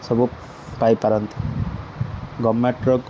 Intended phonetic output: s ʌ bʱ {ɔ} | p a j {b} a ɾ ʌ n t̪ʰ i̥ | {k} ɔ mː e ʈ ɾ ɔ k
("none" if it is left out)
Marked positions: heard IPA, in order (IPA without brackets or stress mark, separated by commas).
u, p, ɡ